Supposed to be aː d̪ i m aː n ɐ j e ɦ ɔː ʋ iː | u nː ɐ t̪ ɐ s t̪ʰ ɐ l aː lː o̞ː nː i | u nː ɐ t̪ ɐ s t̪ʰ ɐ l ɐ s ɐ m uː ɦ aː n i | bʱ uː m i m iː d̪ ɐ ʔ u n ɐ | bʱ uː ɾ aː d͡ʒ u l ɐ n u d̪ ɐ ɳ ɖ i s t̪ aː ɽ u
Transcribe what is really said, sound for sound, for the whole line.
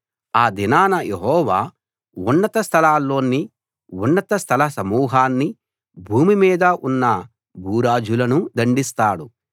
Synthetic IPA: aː d̪ i n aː n ɐ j e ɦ ɔː ʋ aː | u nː ɐ t̪ ɐ s t̪ʰ ɐ l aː lː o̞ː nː i | u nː ɐ t̪ ɐ s t̪ʰ ɐ l ɐ s ɐ m uː ɦ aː nː i | bʱ uː m i m iː d̪ ɐ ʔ u nː ɐ | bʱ uː ɾ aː d͡ʒ u l ɐ n u d̪ ɐ ɳ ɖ i s t̪ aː ɽ u